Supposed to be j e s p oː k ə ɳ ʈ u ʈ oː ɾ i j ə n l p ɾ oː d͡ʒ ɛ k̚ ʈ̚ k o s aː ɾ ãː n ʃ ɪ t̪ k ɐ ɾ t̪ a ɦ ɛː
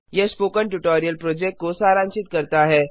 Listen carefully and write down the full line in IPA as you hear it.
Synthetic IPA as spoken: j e s p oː k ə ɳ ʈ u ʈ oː ɾ i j ə l p ɾ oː d͡ʒ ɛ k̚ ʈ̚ k o s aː ɾ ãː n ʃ ɪ t̪ k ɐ ɾ t̪ a ɦ ɛː